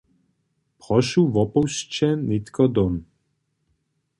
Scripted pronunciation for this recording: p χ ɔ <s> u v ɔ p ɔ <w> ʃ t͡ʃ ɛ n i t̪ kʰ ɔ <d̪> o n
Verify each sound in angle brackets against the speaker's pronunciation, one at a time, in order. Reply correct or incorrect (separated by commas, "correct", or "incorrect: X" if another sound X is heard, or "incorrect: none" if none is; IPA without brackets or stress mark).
incorrect: ʃ, correct, correct